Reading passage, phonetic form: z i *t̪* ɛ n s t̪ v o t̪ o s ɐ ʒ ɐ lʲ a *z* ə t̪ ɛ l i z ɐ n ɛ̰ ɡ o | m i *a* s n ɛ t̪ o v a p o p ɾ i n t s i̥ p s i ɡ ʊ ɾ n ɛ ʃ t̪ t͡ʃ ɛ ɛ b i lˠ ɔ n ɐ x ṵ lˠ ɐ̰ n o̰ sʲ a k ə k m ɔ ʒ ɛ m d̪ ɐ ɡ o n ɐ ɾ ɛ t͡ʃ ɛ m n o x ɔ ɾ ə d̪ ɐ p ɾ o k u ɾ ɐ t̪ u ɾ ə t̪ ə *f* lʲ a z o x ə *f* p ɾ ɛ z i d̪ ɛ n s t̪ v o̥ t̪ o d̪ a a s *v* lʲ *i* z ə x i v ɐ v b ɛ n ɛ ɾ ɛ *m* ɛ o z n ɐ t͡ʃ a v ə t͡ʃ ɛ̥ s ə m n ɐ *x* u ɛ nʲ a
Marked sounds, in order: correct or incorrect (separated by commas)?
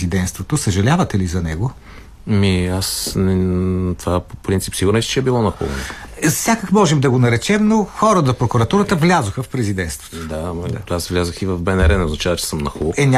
incorrect, incorrect, correct, incorrect, correct, correct, incorrect, incorrect, correct